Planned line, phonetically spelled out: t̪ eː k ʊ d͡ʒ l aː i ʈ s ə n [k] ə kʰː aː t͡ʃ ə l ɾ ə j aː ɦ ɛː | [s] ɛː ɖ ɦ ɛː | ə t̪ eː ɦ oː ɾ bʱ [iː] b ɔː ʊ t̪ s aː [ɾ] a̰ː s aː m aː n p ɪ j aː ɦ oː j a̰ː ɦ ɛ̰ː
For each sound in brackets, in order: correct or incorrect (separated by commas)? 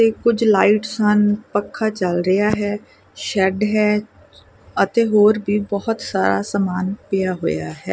incorrect, incorrect, correct, correct